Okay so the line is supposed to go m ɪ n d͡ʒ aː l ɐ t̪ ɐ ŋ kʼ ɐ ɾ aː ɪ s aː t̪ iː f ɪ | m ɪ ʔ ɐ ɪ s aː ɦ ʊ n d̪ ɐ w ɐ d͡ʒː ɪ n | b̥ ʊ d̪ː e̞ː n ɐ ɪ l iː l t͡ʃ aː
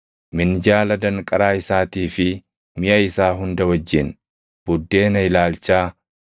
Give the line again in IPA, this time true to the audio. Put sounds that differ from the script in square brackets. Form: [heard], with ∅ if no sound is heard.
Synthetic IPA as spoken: m ɪ n d͡ʒ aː l ɐ [d̪] ɐ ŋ kʼ ɐ ɾ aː ɪ s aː t̪ iː f ɪ | m ɪ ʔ ɐ ɪ s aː ɦ ʊ n d̪ ɐ w ɐ d͡ʒː ɪ n | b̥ ʊ d̪ː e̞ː n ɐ ɪ l [aː] l t͡ʃ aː